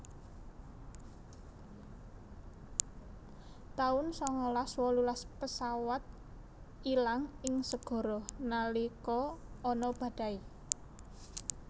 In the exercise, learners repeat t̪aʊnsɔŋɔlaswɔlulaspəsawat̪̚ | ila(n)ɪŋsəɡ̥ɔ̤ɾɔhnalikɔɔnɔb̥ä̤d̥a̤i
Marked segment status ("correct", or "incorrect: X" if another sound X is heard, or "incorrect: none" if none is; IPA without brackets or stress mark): incorrect: ŋ